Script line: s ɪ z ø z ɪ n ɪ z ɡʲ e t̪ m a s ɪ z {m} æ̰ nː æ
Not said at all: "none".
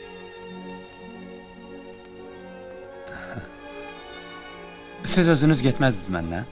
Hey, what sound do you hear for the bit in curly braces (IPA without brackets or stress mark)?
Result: m